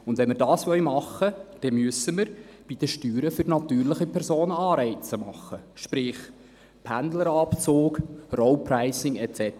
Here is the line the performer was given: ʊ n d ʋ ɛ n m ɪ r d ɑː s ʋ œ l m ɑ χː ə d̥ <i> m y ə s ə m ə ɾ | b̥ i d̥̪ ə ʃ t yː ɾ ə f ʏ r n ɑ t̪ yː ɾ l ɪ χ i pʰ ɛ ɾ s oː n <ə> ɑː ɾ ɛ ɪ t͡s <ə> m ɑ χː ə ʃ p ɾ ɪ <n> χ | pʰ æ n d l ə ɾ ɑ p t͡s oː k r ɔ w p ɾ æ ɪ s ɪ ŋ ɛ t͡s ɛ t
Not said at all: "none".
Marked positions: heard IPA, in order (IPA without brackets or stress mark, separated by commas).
ɛ, ə, ə, none